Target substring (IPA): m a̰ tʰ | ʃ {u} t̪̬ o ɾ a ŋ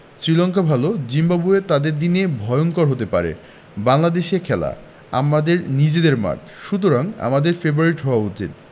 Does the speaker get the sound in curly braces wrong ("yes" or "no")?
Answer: no